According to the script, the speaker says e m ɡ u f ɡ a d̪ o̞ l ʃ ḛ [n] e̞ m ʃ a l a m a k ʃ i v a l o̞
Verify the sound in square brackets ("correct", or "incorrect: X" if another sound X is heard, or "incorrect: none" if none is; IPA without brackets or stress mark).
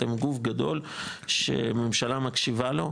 incorrect: m